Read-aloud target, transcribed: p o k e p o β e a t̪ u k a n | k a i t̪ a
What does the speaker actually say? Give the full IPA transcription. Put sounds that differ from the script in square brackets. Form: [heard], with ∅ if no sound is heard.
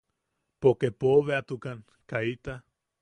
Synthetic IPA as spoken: p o k e p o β e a t̪ u k a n | k a i t̪ a